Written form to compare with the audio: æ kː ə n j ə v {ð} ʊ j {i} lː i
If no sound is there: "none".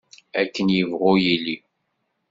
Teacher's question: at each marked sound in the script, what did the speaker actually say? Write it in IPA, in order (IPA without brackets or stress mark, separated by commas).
ʁ, i